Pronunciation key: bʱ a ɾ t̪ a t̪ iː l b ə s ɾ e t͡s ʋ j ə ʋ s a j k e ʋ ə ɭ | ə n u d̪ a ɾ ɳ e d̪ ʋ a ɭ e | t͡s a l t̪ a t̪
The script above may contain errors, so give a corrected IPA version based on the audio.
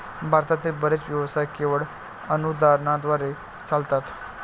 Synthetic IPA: bʱ a ɾ t̪ a t̪ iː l b ə ɾ e t͡s ʋ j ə ʋ s a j k e ʋ ə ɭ | ə n u d̪ a ɾ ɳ a d̪ ʋ a ɾ e | t͡s a l t̪ a t̪